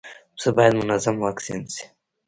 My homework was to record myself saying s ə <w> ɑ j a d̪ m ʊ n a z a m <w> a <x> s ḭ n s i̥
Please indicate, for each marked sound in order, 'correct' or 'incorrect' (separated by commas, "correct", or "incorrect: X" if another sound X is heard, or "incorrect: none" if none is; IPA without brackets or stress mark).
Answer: incorrect: b, correct, incorrect: k